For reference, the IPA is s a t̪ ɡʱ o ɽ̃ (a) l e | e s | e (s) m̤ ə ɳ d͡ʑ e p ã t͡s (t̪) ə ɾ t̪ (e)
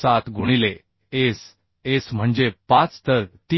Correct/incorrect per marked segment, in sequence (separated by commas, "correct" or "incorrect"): incorrect, correct, correct, incorrect